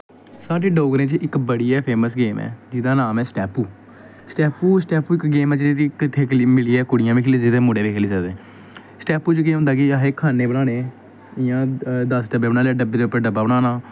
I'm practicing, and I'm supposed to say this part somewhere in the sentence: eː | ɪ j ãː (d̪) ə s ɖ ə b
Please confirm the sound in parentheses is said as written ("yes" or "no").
yes